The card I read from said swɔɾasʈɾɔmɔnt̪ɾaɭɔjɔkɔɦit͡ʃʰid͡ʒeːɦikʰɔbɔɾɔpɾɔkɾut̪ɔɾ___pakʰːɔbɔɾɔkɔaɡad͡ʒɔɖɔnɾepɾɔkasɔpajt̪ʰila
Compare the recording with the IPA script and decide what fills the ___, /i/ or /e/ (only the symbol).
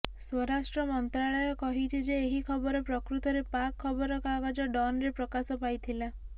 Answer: e